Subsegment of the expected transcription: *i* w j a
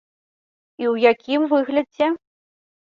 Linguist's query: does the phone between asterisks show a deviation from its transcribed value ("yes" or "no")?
no